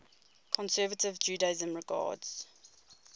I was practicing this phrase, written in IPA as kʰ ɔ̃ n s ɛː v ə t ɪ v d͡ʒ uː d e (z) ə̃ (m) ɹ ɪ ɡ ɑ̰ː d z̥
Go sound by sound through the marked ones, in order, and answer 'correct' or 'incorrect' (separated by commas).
correct, correct